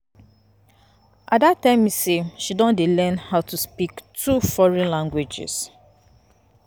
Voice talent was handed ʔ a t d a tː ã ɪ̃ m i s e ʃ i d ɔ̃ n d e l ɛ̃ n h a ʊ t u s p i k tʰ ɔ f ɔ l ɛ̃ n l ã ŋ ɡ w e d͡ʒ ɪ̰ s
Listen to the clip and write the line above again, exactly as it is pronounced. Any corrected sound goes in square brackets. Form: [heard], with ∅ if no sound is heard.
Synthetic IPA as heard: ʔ a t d a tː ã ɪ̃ m i s e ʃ i d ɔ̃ n d e l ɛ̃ n h a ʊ t u s p i k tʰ [u] f ɔ [ɹ] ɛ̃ n l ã ŋ ɡ w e d͡ʒ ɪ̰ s

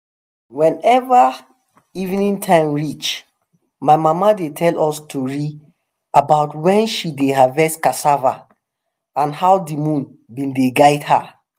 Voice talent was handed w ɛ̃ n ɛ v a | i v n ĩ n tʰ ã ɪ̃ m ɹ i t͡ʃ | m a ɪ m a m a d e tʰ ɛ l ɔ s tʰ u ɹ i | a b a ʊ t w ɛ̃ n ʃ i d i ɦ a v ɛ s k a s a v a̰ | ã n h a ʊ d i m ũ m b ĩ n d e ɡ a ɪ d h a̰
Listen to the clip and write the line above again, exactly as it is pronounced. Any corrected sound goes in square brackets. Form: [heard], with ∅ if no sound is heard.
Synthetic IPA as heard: w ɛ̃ n ɛ v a | i v n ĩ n tʰ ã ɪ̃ m ɹ i t͡ʃ | m a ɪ m a m a d e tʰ ɛ l ɔ s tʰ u ɹ i | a b a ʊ t w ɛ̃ n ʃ i d [e] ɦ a v ɛ s k a s a v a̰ | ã n h a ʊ d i m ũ [n] b ĩ n d e ɡ a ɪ d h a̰

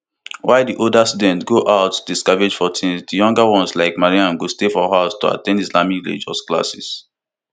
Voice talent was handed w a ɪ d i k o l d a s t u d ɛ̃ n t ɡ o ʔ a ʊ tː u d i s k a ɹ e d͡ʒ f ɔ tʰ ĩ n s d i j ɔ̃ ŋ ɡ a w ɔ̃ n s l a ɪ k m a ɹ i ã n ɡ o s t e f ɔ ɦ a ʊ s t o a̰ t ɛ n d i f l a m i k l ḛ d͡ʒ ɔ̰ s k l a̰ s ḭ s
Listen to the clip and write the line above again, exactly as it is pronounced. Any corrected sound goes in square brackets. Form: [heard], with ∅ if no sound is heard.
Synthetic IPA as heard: w a ɪ d i [ʔ] o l d a s t u d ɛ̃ n t ɡ o ʔ a ʊ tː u d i s k a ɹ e d͡ʒ f ɔ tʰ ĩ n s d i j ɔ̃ ŋ ɡ a w ɔ̃ n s l a ɪ k m a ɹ i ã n ɡ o s t e f ɔ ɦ a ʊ s t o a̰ t [ɛ̃] n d i [s] l a m i k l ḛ d͡ʒ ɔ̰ s k l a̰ s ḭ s

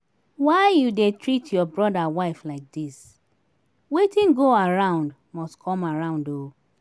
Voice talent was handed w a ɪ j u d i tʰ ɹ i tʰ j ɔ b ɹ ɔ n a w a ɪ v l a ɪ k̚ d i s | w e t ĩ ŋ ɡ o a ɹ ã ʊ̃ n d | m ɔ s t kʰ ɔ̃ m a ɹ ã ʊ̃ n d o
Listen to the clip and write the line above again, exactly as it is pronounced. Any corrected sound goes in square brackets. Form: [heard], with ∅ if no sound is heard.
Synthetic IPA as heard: w a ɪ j u d [e] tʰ ɹ i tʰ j ɔ b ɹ ɔ [d] a w a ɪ [f] l a ɪ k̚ d i s | w e t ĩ [n] ɡ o a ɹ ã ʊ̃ n d | m ɔ s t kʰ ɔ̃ m a ɹ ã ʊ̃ n d o

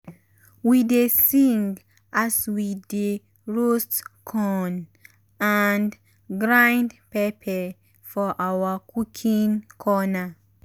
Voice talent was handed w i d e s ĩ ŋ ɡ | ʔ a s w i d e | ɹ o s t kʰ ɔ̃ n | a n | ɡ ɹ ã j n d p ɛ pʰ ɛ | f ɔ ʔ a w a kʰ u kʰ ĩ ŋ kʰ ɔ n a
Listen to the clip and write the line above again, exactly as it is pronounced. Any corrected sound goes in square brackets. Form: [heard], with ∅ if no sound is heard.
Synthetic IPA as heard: w i d e s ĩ ŋ ɡ | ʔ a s w i d e | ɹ o s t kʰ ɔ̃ n | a n | ɡ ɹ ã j n d p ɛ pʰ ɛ | f ɔ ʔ a w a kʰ u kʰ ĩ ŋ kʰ ɔ n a

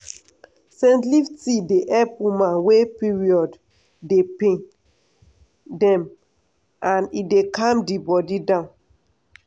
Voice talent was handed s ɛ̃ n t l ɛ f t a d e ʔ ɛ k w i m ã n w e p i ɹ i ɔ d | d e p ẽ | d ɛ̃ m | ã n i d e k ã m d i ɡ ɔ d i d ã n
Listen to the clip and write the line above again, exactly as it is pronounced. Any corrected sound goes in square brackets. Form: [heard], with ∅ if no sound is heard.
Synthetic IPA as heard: s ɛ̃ n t l [i] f t [i] d e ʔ ɛ [p] w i m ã n w e p i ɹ i ɔ d | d e p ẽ | d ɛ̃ m | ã n i d e k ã m d i [b] ɔ d i d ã n

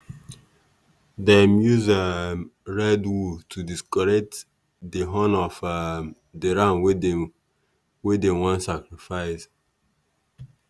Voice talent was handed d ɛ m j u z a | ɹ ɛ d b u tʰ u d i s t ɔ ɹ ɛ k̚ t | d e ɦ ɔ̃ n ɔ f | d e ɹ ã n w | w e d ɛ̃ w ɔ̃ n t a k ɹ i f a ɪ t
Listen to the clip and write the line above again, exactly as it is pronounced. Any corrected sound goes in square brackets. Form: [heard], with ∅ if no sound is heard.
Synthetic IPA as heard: d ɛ m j u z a | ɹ ɛ d [w] u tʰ u d i s [k] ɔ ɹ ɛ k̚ t | d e ɦ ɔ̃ n ɔ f | d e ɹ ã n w | w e d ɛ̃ w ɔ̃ n [s] a k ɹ i f a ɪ [s]

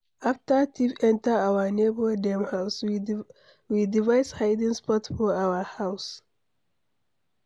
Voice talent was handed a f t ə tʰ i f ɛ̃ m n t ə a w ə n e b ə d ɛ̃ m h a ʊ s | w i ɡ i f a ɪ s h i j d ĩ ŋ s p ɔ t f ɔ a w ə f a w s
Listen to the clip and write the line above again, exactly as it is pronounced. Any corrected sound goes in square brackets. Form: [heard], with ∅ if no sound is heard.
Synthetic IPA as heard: a f t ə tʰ i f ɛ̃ [∅] n t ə a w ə n e b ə d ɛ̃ m h a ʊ s | w i [d] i [v] a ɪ s h [a] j d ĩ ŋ s p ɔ t f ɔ a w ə [h] a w s

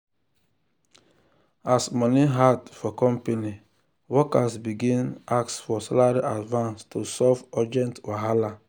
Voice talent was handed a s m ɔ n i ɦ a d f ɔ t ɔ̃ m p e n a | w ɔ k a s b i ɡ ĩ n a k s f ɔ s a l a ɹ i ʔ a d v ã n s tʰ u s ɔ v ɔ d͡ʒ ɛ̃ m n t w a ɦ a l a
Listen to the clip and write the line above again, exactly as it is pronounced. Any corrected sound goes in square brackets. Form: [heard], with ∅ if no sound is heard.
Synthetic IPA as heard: a s m ɔ n i ɦ a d f ɔ [k] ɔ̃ m p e n [i] | w ɔ k a s b i ɡ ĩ n a k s f ɔ s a l a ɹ i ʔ a d v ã n s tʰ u s ɔ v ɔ d͡ʒ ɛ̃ [∅] n t w a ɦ a l a

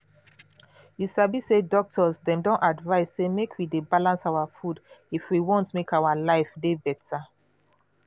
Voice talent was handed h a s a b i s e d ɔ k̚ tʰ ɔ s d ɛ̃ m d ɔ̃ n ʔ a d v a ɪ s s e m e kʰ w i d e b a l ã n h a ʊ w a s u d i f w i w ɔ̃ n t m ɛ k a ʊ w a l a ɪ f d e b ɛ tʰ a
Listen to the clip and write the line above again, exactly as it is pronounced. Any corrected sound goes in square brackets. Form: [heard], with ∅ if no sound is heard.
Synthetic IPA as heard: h [i] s a b i s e d ɔ k̚ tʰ ɔ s d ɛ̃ m d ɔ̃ n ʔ a d v a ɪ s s e m e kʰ w i d e b a l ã n [s] a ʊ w a [f] u d i f w i w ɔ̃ n t m [e] k a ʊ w a l a ɪ f d e b ɛ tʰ a

